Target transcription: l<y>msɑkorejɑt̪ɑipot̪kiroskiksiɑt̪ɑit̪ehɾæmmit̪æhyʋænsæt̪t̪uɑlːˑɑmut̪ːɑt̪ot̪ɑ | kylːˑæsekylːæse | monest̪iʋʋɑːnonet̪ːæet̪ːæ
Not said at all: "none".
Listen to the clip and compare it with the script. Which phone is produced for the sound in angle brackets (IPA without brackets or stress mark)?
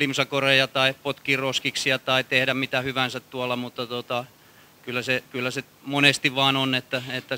i